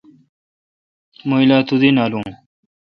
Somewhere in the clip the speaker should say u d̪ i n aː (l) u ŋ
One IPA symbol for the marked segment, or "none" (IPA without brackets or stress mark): l